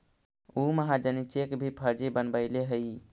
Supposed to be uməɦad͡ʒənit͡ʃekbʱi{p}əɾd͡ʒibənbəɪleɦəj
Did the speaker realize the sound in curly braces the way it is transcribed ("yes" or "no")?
no